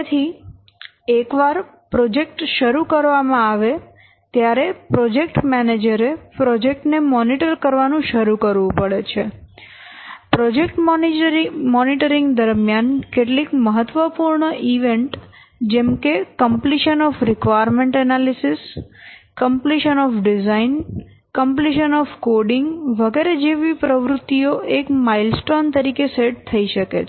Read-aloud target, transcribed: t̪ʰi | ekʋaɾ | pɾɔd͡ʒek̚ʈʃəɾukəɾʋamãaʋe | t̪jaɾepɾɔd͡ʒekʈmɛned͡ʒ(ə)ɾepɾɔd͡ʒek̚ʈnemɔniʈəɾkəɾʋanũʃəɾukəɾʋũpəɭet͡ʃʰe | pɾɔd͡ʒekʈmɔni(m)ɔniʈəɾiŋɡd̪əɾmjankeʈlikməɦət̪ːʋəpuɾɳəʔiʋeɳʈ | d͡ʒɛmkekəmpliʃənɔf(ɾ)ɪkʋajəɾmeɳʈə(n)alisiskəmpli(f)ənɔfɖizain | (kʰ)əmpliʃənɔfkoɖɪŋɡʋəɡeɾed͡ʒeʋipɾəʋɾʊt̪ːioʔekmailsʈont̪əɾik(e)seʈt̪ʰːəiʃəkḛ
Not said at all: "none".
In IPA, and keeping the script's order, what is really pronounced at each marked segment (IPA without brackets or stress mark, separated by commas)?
ə, m, ɾ, n, ʃ, k, e